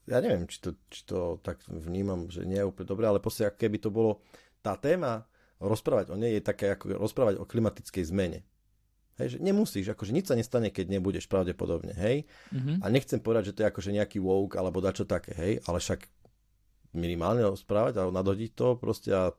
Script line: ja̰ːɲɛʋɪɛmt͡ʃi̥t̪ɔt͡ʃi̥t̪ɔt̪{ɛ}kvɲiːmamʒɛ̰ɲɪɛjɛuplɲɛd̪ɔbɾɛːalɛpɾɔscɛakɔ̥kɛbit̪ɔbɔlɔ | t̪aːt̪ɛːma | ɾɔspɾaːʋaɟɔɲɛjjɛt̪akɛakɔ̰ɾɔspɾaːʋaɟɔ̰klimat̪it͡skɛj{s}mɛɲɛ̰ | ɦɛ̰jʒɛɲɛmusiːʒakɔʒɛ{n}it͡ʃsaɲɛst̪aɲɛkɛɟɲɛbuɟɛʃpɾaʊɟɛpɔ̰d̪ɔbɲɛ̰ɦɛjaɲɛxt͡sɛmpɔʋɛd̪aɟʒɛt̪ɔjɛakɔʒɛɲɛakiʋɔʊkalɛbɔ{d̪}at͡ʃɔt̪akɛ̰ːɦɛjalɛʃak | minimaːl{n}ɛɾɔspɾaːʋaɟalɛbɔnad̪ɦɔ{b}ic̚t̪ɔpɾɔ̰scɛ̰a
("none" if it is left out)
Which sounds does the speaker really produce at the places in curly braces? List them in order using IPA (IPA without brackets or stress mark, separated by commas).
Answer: a, z, ɲ, d̪, ɲ, ɟ